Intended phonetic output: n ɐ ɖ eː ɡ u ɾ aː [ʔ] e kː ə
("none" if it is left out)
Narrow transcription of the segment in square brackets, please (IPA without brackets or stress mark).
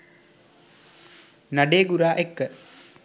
ʔ